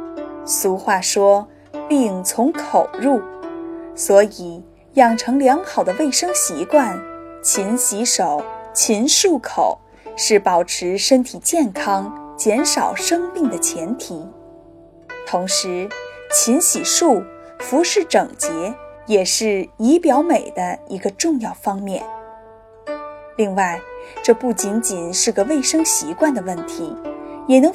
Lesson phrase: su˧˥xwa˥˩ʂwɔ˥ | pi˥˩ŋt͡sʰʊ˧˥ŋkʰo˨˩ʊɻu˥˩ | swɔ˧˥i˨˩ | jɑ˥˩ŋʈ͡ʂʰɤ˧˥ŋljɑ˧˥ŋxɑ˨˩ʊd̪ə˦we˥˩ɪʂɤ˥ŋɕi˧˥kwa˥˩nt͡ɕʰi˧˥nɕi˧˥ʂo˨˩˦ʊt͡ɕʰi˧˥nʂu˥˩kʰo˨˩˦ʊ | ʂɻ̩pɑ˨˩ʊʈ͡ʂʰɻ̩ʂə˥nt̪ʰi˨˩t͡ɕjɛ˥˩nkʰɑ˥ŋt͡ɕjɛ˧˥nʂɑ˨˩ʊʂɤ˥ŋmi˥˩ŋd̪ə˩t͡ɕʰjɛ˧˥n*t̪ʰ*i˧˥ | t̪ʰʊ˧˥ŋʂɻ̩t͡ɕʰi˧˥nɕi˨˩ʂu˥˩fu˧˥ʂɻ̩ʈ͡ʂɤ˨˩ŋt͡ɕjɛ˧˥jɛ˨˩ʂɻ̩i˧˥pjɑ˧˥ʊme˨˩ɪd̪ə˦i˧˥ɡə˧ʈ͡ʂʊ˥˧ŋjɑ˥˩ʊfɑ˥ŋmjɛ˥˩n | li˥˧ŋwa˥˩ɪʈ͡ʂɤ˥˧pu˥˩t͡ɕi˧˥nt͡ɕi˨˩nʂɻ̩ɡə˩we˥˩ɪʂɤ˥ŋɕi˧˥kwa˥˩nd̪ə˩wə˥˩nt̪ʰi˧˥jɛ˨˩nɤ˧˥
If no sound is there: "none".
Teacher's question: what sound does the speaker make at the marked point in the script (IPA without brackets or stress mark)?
t̪ʰ